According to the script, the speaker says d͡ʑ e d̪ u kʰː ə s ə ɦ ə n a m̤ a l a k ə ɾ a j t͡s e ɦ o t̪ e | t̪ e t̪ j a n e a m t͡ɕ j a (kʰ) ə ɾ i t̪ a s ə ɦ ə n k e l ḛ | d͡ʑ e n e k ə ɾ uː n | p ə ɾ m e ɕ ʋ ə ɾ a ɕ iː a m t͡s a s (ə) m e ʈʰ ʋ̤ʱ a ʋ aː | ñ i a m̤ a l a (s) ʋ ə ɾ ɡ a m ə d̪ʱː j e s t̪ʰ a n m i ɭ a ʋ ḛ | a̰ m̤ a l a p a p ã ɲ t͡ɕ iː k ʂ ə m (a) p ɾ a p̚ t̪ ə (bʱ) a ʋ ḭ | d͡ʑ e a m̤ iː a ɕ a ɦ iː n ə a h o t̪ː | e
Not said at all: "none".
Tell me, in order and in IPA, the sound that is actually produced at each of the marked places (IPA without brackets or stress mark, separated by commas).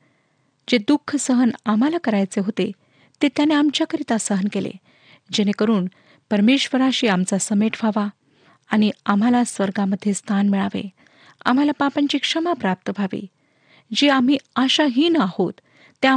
k, ə, s, a, bʱ